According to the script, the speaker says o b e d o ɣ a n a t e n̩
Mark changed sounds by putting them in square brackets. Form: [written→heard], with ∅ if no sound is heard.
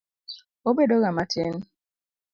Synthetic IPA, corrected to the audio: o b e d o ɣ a [n→m] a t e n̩